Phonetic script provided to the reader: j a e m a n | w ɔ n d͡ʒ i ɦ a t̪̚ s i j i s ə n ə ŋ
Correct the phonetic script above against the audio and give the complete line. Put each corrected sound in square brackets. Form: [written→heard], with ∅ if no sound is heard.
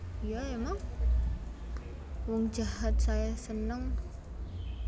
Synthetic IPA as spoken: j a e m a [n→ŋ] | w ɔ [n→ŋ] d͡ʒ [i→a] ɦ a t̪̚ s [i→a] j [i→a] s ə n ə ŋ